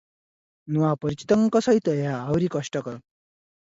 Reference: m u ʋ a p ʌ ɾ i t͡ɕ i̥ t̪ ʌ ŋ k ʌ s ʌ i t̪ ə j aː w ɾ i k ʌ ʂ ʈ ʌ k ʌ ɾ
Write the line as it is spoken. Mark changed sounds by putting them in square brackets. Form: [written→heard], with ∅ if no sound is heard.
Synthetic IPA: [m→n] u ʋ a p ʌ ɾ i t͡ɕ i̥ t̪ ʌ ŋ k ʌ s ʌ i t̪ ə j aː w ɾ i k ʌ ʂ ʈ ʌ k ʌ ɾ